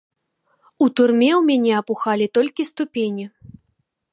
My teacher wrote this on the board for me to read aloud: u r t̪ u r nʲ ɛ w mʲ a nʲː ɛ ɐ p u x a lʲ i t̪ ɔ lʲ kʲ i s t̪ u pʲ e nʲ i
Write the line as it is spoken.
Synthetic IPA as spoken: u t̪ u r mʲ ɛ w mʲ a nʲ ɛ ɐ p u x a lʲ i t̪ ɔ lʲ kʲ i s t̪ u pʲ e nʲ i